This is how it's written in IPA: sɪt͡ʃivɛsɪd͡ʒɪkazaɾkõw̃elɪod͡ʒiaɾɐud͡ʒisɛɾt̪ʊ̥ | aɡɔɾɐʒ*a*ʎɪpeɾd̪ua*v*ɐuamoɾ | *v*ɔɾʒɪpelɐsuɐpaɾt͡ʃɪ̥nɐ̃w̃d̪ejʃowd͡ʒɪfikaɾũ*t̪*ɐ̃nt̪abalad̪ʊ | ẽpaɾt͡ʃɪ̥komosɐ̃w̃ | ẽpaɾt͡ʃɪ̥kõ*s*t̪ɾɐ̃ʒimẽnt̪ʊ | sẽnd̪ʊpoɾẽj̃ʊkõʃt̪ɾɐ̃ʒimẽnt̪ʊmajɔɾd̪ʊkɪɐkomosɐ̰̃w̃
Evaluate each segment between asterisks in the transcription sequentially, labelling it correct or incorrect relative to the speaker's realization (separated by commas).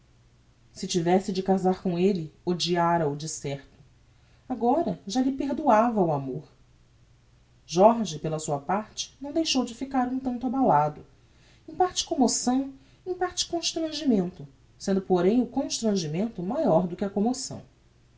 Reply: correct, correct, incorrect, correct, incorrect